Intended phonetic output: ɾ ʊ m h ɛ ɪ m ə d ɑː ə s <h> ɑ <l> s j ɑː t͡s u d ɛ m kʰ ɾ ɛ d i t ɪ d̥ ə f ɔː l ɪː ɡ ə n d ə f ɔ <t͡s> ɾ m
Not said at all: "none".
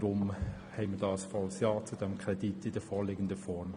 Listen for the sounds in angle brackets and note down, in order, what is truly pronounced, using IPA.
f, l, none

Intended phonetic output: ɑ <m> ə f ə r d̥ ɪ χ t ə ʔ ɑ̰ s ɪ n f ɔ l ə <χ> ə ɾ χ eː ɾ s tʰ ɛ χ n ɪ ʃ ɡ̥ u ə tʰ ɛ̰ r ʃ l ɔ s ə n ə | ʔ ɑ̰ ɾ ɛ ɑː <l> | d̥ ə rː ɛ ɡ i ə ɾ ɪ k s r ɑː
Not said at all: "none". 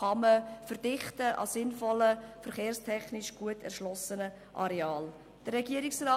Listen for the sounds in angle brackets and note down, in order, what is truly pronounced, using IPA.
m, f, l

